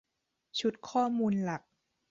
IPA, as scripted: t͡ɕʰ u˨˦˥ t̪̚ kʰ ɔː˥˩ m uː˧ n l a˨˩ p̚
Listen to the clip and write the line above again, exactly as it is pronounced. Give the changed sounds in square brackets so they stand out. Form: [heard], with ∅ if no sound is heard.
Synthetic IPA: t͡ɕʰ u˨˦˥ t̪̚ kʰ ɔː˥˩ m uː˧ n l a˨˩ [k̚]